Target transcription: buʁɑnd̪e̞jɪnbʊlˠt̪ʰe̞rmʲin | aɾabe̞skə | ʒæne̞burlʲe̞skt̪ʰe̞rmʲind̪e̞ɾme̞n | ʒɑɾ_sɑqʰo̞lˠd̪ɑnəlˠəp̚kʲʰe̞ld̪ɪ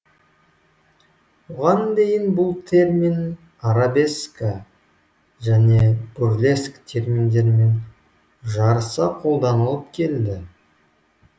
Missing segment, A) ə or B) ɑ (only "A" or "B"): A